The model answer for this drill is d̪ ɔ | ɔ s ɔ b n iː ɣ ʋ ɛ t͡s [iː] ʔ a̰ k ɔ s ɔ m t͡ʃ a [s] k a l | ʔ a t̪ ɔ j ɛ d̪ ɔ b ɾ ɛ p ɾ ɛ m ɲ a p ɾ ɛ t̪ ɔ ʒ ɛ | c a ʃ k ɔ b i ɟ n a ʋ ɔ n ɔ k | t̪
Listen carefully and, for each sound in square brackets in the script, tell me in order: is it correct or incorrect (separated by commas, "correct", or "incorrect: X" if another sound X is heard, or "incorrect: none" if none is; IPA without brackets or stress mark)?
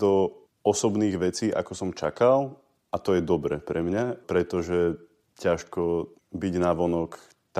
correct, incorrect: none